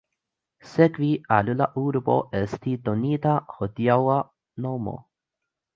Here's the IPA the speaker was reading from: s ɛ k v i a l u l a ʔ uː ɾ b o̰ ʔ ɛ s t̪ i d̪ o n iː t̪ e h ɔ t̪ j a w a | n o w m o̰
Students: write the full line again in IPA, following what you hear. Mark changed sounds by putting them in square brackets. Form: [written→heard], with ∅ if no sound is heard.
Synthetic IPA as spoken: s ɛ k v i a l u l a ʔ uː ɾ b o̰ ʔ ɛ s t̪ i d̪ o n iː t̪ [e→a] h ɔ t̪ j a w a | n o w m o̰